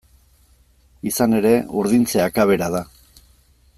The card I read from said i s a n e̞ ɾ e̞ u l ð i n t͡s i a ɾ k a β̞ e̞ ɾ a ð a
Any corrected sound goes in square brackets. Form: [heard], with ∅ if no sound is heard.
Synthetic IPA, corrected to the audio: i s a n e̞ ɾ e̞ u [ɾ] ð i n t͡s [e] a [∅] k a β̞ e̞ ɾ a ð a

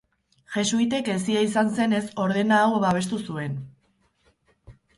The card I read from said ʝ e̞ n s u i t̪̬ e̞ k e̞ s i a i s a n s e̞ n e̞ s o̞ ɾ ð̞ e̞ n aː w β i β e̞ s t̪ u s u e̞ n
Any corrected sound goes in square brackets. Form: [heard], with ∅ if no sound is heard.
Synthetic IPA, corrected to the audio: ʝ e̞ [∅] s u i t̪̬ e̞ k e̞ s i a i s a n s e̞ n e̞ s o̞ ɾ ð̞ e̞ n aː w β [a] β e̞ s t̪ u s u e̞ n

